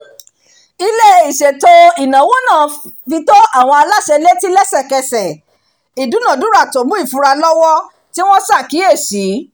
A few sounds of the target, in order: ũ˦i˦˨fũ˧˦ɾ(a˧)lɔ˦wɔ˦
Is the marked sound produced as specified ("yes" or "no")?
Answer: yes